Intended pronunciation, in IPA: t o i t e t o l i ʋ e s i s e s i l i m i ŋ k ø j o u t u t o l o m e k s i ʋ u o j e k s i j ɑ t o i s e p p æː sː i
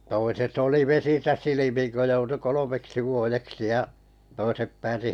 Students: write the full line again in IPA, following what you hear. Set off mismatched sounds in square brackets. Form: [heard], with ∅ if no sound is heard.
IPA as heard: t o i [s] e t o l i ʋ e s i s [æ] s i l i m i ŋ k ø j o u t u [k] o l o m e k s i ʋ u o j e k s i j ɑ t o i s e p p æː [s] i